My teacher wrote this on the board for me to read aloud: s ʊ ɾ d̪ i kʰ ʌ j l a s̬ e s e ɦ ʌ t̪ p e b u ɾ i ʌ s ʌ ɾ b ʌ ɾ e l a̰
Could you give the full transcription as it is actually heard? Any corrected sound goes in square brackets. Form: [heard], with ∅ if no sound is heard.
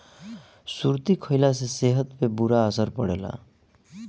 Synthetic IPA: s [u] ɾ [t̪] i kʰ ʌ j l a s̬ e s e ɦ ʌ t̪ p e b u ɾ [a] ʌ s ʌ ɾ [p] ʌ [ɽ] e l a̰